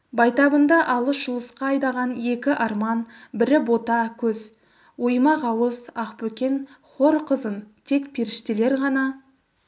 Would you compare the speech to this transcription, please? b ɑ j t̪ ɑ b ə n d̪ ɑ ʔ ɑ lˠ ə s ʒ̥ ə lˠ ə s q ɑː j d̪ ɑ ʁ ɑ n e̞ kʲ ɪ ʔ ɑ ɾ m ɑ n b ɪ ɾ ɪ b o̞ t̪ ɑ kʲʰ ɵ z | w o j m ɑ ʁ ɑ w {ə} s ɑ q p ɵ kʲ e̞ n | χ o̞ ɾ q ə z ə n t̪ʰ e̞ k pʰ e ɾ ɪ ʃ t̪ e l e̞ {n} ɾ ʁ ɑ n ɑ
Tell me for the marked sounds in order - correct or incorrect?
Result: correct, incorrect: none

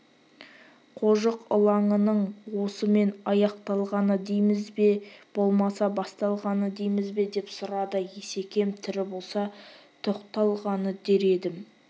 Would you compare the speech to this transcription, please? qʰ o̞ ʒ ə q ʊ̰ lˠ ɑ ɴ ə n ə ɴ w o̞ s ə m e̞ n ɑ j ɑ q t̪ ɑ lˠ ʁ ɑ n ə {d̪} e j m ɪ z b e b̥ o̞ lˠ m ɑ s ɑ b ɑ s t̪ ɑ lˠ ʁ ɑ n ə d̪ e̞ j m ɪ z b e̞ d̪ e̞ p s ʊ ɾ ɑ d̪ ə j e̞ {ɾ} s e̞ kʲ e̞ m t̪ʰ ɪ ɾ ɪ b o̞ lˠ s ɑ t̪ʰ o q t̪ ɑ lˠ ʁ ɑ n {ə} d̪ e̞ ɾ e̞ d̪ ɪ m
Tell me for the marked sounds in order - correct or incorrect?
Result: correct, incorrect: none, correct

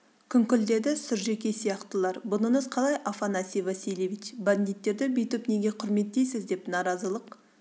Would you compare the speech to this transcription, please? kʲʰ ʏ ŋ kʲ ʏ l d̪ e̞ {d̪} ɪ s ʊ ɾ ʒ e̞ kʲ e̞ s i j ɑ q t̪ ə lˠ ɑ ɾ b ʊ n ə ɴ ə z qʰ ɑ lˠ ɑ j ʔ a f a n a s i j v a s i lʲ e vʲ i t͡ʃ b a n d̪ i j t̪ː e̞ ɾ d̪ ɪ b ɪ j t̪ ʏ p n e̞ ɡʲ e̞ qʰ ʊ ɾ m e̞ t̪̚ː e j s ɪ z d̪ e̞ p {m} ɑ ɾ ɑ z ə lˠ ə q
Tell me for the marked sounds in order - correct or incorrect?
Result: correct, incorrect: n

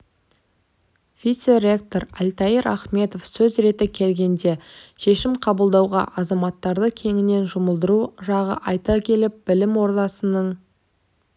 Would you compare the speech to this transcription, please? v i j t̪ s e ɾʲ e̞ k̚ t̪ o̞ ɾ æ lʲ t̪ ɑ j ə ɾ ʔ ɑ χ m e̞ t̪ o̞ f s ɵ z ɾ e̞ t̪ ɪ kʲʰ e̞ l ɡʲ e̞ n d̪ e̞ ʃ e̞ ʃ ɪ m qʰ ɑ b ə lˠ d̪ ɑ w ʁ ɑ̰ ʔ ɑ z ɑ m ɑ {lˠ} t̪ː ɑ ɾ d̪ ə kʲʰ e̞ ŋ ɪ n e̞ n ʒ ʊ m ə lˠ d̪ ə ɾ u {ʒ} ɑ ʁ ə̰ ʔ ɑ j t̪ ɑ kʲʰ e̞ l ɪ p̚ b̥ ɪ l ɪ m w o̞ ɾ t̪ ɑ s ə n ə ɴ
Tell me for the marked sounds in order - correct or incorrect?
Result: incorrect: none, correct

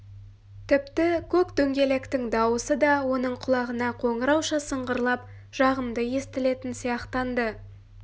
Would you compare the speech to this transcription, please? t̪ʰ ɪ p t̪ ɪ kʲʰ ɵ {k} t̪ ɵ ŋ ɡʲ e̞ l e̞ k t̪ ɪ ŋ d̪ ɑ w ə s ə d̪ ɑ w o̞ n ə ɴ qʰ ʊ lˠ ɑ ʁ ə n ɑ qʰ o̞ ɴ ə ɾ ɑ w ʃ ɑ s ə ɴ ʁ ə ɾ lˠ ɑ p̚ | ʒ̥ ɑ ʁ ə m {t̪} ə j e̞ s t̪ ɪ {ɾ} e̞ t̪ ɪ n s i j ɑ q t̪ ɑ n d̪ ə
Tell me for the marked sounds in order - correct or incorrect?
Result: correct, incorrect: d̪, incorrect: l

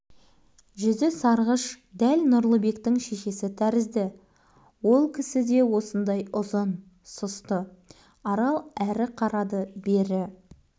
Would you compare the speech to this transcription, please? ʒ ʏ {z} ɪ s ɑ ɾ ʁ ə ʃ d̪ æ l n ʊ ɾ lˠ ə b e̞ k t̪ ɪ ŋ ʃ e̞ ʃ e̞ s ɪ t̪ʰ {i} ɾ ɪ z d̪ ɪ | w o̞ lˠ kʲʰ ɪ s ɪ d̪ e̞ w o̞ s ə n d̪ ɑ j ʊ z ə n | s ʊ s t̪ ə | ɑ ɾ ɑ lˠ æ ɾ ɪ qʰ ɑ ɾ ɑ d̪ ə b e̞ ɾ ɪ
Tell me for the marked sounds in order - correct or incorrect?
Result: correct, incorrect: æ

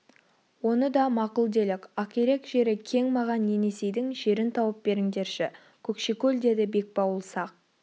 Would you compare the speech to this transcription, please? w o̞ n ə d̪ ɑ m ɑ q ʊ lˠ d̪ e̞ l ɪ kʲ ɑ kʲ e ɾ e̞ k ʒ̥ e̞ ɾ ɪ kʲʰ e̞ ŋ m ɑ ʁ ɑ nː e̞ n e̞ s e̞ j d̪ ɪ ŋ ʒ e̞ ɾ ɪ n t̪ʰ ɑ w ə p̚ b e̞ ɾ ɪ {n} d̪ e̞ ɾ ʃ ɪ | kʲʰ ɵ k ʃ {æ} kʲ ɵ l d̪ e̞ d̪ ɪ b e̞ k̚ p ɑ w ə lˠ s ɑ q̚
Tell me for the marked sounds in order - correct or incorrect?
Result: incorrect: ŋ, incorrect: e

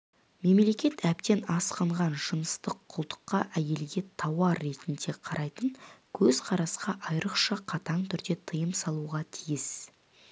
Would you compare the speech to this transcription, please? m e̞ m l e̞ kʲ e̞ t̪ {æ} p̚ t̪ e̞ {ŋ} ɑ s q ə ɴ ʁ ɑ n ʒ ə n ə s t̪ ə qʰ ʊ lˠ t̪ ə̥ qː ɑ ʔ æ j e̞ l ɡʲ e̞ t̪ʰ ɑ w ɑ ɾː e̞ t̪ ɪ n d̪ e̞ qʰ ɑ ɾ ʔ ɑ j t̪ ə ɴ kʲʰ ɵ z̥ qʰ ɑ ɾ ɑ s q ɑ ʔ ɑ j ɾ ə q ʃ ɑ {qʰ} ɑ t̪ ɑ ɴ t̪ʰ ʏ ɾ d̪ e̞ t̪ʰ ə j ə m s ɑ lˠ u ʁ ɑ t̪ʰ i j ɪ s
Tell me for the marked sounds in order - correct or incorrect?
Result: correct, incorrect: n, correct

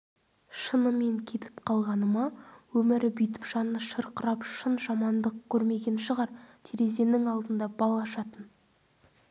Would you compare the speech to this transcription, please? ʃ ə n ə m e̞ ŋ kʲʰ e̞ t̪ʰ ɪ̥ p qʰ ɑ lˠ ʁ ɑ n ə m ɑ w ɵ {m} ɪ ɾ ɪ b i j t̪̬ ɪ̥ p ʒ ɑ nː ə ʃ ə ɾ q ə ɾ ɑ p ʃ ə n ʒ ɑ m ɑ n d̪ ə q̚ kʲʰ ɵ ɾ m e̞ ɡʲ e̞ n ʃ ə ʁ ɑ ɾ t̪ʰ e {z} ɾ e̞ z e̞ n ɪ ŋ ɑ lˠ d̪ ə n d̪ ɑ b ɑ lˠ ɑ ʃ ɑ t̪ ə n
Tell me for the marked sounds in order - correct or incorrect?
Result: correct, incorrect: none

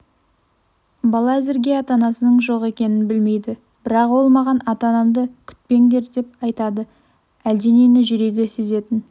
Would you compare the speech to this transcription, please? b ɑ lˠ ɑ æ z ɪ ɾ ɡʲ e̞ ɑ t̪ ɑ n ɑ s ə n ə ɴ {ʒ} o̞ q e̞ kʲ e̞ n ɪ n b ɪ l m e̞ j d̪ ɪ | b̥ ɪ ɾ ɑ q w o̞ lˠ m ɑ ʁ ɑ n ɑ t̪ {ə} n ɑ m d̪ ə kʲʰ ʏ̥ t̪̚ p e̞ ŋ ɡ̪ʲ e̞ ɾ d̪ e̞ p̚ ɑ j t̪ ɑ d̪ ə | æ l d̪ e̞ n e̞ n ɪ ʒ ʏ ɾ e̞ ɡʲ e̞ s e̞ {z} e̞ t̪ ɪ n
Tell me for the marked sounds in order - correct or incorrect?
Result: correct, incorrect: ɑ, correct

